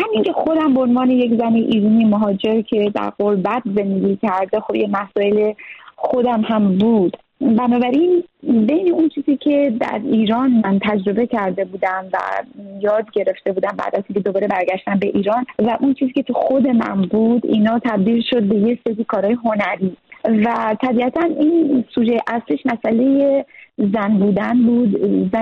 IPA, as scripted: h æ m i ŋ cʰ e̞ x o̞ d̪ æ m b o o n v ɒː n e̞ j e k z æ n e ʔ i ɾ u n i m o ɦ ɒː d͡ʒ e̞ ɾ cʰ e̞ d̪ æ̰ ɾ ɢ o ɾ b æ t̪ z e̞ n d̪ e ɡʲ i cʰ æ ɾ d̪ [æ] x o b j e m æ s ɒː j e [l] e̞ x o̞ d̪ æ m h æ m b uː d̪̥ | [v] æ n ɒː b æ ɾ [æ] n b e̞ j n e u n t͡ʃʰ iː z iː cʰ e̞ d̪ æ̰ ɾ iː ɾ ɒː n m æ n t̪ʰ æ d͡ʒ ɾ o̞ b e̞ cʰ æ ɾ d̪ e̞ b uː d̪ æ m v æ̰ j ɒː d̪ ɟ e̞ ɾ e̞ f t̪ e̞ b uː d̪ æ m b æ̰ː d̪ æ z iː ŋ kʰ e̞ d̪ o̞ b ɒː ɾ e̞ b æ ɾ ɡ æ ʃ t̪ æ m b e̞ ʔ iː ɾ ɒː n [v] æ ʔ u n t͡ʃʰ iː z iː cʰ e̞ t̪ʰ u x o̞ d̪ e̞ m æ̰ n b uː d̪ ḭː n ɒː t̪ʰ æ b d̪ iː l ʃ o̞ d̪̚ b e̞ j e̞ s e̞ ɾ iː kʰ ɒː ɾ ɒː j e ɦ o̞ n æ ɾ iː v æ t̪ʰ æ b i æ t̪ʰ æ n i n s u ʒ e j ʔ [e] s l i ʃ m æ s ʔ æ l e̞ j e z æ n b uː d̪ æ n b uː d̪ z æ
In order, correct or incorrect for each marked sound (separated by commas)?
incorrect, correct, incorrect, incorrect, correct, incorrect